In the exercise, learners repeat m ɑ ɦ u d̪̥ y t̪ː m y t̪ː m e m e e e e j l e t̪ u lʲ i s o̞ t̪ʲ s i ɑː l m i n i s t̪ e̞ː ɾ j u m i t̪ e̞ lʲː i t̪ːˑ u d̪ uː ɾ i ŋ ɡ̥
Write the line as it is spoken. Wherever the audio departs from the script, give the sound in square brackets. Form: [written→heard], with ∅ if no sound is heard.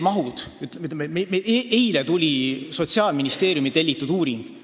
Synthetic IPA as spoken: m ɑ ɦ u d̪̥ y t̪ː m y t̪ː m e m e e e e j l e t̪ u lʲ i s o̞ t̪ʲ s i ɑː l m i n i s t̪ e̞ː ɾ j u m i t̪ e̞ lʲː i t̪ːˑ u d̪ uː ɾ i ŋ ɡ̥